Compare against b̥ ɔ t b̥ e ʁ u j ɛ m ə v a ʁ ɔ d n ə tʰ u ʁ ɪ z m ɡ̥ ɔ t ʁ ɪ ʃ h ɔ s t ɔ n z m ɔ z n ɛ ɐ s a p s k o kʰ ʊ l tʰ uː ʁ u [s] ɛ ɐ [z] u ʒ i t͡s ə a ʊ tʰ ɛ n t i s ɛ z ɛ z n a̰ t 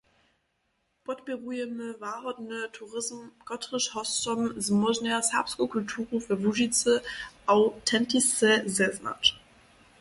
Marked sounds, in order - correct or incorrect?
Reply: incorrect: f, incorrect: v

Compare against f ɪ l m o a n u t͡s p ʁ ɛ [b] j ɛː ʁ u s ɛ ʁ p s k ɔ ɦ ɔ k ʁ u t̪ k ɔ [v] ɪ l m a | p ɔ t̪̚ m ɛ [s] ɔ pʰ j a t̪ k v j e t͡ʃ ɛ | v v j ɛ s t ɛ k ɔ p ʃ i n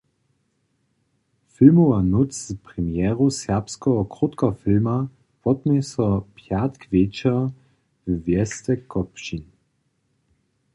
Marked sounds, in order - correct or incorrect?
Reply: incorrect: m, incorrect: f, correct

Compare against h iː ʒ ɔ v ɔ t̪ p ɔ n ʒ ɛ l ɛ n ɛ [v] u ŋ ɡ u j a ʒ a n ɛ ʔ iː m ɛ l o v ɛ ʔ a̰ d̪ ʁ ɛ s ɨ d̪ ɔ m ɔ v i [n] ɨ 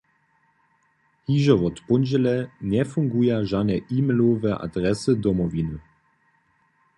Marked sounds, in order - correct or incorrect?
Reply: incorrect: f, correct

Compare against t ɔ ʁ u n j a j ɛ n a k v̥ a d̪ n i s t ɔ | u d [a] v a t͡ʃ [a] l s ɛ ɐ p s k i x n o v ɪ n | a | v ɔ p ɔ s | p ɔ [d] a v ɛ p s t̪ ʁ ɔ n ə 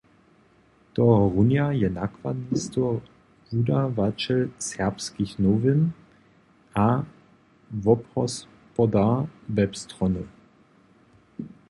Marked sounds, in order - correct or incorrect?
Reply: correct, incorrect: ɛ, correct

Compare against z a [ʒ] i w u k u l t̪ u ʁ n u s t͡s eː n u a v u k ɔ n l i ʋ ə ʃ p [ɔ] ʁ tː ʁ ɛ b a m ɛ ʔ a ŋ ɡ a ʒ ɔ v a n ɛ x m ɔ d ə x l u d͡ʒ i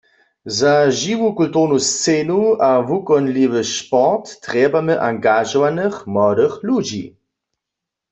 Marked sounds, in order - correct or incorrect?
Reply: correct, correct

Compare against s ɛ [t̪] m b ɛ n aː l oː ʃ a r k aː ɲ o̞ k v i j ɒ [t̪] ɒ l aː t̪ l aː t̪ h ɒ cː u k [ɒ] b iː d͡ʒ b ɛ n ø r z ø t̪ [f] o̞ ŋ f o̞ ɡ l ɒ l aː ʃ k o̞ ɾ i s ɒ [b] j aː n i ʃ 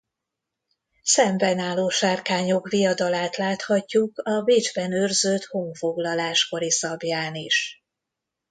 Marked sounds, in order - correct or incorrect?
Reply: incorrect: none, incorrect: d̪, correct, incorrect: h, correct

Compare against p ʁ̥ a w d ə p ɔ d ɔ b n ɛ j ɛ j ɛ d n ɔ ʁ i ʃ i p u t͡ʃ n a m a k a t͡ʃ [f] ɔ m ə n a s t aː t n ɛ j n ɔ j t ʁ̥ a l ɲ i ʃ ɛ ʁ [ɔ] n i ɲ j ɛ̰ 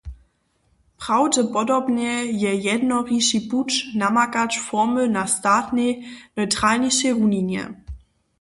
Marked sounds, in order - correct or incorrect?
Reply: correct, incorrect: u

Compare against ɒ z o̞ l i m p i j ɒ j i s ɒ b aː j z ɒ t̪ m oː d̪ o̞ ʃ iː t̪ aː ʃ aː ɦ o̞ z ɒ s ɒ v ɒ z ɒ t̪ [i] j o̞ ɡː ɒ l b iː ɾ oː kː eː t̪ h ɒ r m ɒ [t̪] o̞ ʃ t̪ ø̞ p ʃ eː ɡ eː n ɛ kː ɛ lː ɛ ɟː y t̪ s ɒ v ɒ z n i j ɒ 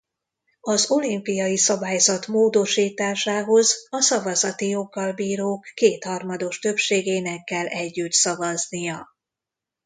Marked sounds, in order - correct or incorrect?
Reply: correct, incorrect: d̪

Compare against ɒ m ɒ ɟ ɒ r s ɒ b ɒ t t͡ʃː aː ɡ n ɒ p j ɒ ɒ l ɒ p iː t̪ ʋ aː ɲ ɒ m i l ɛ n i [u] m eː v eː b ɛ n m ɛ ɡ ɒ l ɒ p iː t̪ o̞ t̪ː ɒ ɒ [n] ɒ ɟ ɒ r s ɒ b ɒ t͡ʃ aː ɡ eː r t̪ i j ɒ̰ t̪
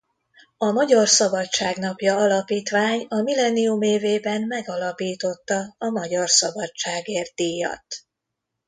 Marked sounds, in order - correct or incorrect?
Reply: correct, incorrect: m

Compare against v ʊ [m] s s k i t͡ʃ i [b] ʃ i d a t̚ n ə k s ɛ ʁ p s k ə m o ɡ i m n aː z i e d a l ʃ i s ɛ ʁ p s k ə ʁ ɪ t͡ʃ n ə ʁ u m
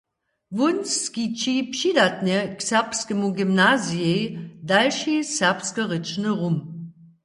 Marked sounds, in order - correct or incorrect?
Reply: incorrect: n, incorrect: p

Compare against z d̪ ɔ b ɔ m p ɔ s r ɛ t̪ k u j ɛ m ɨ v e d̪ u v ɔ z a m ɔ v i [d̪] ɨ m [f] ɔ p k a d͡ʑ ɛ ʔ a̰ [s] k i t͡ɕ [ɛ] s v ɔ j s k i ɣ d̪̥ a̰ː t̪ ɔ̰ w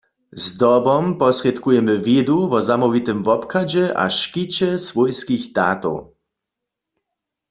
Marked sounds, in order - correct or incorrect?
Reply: incorrect: t̪, incorrect: v, incorrect: ʃ, correct

